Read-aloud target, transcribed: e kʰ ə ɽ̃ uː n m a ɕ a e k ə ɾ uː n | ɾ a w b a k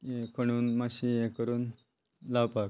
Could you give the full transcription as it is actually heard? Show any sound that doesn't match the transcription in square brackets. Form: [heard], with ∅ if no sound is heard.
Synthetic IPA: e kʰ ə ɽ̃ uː n m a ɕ [i] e k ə ɾ uː n | [l] a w [p] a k